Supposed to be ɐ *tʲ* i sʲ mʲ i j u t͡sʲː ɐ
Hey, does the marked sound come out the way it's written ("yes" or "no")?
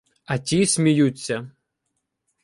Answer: yes